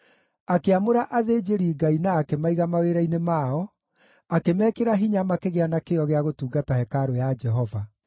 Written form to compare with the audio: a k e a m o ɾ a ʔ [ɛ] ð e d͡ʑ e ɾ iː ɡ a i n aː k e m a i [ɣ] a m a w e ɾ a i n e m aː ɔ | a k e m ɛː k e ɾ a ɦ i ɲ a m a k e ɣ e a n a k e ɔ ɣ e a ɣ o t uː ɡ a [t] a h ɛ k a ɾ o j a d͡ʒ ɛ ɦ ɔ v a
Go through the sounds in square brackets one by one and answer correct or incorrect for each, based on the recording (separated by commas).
incorrect, correct, correct